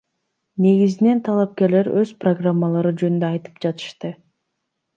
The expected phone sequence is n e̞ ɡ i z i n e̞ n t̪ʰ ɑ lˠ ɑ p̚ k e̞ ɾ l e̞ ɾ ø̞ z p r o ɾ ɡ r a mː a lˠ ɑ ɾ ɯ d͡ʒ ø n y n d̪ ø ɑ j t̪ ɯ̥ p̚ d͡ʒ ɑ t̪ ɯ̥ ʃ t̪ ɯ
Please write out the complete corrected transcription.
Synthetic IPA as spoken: n e̞ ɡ i z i n e̞ n t̪ʰ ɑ lˠ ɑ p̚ k e̞ ɾ l e̞ ɾ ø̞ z p r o ɡ r a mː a lˠ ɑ ɾ ɯ d͡ʒ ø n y n d̪ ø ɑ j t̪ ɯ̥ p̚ d͡ʒ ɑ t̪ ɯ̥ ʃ t̪ ɯ